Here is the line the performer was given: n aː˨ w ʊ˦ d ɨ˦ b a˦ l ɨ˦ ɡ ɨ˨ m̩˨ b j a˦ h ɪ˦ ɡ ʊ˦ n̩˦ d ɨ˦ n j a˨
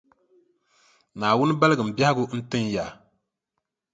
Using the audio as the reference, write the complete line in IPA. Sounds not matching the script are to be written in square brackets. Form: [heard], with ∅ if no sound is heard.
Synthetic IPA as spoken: n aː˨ w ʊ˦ [n] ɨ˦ b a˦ l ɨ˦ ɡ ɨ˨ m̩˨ b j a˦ h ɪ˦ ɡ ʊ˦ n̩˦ [t] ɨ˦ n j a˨